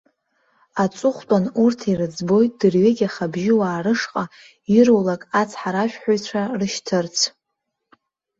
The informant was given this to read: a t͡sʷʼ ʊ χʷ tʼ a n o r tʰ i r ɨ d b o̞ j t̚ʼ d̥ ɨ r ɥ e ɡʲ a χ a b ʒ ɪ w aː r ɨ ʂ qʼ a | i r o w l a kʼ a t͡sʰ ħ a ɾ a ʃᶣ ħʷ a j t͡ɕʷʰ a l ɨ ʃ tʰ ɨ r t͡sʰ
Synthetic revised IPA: a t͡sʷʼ ʊ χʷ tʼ a n u r tʰ i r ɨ d͡z b o̞ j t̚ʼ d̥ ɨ r ɥ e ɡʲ a χ a b ʒ ɪ w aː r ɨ ʂ qʼ a | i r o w l a kʼ a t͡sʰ ħ a ɾ a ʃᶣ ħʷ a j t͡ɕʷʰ a r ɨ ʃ tʰ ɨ r t͡sʰ